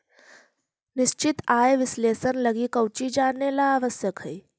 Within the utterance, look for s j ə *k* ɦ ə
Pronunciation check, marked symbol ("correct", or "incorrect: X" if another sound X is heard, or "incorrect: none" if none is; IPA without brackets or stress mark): correct